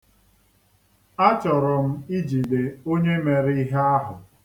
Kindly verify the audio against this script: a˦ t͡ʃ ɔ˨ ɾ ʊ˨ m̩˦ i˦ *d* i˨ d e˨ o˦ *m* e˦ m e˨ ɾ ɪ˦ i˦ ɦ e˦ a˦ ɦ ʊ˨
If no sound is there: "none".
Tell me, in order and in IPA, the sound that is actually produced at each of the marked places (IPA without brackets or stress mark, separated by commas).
d͡ʒ, ɲ